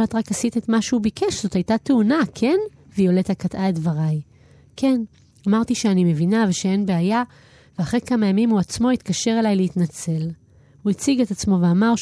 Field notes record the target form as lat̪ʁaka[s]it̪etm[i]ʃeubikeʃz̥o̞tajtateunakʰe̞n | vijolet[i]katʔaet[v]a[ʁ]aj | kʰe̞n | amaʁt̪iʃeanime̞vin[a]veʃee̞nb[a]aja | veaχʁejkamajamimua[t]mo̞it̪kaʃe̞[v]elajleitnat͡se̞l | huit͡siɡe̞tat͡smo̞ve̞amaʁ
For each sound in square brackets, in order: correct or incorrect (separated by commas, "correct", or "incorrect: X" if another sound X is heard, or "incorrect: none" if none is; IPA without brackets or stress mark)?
correct, incorrect: a, incorrect: a, correct, correct, correct, incorrect: e, incorrect: t͡s, incorrect: ʁ